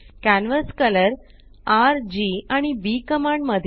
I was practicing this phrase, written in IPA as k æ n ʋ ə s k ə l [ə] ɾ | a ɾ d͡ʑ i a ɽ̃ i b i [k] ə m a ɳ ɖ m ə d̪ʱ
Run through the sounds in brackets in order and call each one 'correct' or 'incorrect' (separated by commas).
correct, correct